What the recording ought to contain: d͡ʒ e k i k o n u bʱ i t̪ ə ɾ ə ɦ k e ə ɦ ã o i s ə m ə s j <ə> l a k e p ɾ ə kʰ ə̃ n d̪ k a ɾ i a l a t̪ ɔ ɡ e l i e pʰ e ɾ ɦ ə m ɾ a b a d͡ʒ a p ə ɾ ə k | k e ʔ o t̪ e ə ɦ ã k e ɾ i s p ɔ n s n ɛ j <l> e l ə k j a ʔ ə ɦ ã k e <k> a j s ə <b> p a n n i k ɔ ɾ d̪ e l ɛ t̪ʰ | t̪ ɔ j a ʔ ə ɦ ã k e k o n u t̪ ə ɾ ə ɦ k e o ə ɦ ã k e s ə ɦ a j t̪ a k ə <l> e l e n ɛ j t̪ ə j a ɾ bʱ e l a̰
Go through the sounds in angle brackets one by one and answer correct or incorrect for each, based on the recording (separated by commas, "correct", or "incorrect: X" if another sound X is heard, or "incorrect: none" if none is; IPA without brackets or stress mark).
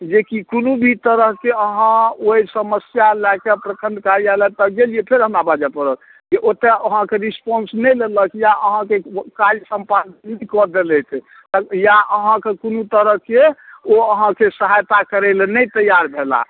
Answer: incorrect: a, correct, correct, incorrect: m, incorrect: ɾ